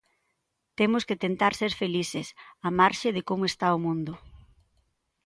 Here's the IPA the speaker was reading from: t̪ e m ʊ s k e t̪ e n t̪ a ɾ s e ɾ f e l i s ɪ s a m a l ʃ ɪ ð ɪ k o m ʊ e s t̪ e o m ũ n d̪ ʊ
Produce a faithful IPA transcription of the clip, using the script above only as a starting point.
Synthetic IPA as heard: t̪ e m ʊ s k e t̪ e n t̪ a ɾ s e ɾ f e l i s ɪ s a m a ɾ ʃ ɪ ð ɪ k o m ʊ e s t̪ a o m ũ n d̪ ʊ